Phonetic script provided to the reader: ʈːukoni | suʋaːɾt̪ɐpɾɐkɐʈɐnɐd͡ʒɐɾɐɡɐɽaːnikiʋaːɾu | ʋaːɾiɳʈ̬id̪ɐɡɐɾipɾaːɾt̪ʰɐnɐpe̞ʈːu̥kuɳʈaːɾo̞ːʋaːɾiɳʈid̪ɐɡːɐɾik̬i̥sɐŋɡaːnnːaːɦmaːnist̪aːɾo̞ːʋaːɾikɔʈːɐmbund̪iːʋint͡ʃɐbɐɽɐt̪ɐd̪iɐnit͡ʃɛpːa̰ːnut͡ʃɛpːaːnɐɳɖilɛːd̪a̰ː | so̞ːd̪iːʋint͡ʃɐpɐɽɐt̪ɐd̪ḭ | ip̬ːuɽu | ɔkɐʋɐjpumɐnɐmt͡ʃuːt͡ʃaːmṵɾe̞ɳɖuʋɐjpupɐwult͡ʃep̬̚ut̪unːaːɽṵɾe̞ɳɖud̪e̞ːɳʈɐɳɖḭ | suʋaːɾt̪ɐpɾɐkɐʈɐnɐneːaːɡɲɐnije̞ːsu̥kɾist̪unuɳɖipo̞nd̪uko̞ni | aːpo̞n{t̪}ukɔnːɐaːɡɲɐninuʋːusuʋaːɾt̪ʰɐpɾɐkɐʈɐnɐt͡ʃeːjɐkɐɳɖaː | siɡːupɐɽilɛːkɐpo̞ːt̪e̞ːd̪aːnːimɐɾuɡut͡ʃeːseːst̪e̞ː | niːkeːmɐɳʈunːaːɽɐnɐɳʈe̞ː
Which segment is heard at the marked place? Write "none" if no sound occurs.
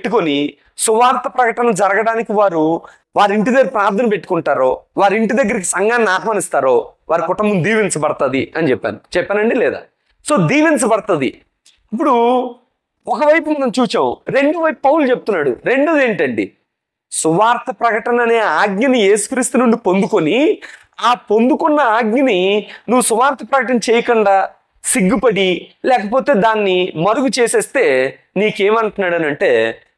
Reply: d̪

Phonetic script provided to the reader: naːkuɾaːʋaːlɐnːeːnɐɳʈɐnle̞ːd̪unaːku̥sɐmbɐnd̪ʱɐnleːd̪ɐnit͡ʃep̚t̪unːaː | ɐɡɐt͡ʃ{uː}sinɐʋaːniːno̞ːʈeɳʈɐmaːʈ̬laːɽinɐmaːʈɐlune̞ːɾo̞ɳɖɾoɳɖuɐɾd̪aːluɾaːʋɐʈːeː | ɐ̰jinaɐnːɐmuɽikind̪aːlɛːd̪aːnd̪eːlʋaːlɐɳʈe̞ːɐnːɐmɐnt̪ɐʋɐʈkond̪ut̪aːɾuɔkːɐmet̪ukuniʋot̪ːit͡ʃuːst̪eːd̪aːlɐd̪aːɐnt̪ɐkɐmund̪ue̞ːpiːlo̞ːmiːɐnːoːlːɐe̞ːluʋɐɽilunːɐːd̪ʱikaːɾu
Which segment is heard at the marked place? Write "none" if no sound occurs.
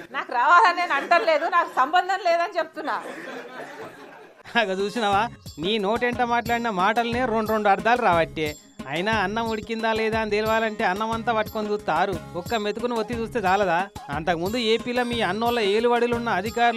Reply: uː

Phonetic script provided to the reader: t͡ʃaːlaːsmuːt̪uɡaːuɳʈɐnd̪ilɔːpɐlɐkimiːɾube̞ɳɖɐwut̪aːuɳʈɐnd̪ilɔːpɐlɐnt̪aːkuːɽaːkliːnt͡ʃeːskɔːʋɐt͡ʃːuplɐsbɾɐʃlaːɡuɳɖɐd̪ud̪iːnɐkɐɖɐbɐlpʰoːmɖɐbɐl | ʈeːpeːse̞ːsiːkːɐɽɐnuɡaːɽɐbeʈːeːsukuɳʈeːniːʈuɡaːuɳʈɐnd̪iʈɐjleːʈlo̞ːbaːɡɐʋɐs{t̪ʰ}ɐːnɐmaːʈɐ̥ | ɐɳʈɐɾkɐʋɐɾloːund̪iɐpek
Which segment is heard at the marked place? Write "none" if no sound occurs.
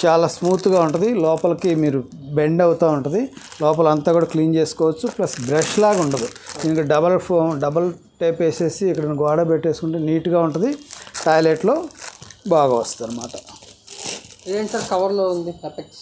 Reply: t̪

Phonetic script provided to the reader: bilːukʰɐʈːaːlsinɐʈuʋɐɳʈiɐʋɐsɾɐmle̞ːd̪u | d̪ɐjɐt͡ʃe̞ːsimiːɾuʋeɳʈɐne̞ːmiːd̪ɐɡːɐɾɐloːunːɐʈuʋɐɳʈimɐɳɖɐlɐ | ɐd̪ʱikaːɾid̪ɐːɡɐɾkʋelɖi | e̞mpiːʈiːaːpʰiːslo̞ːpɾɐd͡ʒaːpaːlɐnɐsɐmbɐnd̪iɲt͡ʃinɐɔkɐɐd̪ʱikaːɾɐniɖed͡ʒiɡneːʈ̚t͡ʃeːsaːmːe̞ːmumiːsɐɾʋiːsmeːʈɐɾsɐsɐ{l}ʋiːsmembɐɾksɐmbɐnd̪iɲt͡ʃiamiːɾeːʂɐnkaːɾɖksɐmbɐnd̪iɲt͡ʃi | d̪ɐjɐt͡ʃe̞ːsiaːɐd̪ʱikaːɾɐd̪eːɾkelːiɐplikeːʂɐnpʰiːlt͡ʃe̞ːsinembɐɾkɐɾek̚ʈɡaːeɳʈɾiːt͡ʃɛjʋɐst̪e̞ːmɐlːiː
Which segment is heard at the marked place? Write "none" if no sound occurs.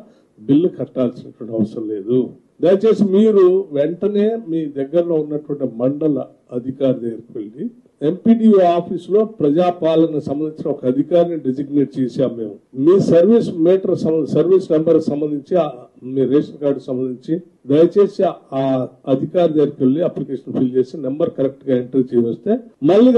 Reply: ɾ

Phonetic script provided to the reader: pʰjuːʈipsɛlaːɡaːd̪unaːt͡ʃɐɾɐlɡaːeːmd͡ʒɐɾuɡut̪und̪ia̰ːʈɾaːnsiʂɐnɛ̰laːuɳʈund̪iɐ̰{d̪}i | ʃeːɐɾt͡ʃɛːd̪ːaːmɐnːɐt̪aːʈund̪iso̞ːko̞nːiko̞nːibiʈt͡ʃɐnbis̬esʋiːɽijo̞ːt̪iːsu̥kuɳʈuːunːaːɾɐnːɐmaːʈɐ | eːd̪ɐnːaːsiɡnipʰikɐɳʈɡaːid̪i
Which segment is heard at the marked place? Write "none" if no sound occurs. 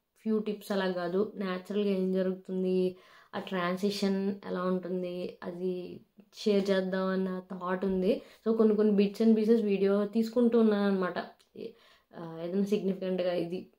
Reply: d̪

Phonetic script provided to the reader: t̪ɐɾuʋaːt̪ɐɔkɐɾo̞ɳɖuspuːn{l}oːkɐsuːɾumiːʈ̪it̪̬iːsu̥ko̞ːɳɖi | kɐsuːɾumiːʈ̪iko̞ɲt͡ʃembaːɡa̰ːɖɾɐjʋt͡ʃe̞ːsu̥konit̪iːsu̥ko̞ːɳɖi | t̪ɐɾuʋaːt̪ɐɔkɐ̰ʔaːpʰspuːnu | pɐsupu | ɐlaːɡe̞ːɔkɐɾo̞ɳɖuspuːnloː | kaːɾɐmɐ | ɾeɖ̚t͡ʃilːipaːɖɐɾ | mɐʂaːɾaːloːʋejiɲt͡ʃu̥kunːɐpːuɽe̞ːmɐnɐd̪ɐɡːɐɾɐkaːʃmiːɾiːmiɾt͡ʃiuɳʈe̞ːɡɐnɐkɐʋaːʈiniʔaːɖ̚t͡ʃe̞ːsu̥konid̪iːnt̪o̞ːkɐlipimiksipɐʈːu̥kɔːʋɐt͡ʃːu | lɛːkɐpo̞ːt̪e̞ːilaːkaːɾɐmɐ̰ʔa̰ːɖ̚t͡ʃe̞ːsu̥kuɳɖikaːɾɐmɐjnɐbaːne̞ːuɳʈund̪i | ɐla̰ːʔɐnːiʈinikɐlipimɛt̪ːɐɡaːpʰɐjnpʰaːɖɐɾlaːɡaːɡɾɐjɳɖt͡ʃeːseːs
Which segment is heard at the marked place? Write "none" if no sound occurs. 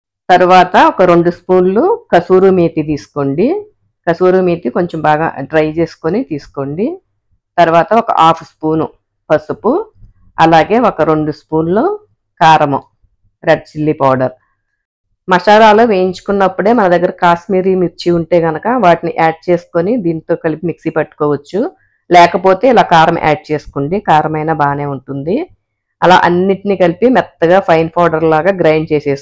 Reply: l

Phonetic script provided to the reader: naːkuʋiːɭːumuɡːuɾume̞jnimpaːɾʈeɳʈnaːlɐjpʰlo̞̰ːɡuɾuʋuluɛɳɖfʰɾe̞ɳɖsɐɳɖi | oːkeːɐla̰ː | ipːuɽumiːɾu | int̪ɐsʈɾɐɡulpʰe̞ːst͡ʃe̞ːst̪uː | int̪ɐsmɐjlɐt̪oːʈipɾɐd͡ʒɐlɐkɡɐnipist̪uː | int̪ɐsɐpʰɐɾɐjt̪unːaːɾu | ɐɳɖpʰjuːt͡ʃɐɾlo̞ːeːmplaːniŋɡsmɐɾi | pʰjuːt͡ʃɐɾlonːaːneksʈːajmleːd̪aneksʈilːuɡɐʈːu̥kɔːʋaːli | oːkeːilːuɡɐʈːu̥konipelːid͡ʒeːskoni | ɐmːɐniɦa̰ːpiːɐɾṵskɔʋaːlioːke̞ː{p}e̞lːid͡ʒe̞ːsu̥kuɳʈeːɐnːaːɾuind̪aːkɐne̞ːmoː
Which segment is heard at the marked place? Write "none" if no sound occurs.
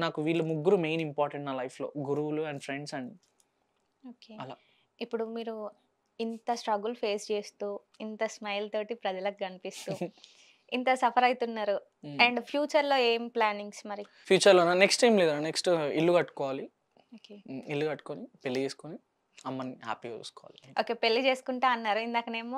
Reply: p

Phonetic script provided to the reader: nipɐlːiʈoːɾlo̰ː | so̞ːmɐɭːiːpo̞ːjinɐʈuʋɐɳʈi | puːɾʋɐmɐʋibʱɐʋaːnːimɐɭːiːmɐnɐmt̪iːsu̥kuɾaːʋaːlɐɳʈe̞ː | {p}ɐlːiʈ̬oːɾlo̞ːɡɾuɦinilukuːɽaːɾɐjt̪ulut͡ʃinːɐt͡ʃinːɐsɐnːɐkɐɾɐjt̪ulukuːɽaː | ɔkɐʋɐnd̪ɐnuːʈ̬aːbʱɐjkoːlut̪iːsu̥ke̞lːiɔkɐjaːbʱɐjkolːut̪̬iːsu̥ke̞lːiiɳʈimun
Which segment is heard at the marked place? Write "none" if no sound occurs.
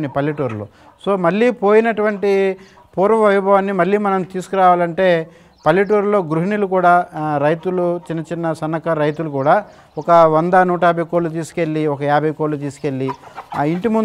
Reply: p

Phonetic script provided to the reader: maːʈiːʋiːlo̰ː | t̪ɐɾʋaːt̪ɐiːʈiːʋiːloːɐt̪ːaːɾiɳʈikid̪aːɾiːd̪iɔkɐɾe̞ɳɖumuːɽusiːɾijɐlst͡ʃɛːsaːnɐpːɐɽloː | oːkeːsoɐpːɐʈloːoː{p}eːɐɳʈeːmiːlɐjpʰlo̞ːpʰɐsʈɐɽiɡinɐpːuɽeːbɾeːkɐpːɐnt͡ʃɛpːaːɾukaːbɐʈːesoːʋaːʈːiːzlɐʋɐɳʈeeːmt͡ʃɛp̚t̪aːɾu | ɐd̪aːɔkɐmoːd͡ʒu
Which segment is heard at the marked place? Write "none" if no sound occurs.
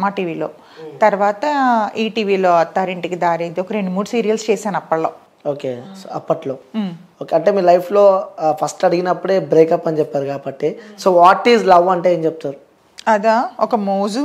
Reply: k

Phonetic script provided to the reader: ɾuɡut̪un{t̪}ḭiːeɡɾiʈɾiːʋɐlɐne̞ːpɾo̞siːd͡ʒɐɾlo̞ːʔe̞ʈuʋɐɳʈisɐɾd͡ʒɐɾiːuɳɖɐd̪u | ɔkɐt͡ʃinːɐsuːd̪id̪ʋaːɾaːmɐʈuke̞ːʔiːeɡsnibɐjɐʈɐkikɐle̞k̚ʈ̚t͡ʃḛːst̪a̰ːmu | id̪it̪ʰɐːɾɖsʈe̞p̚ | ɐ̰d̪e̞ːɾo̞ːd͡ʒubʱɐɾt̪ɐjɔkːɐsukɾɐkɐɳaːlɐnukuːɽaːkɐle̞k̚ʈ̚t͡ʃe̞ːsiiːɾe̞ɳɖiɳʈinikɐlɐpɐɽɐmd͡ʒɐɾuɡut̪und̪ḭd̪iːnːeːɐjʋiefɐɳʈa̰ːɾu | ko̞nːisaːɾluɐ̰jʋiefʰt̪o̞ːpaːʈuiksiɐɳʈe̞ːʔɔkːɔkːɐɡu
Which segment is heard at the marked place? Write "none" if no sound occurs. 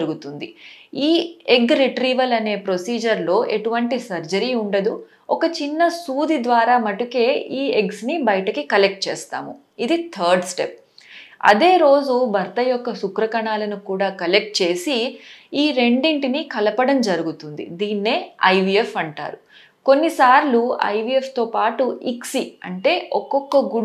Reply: d̪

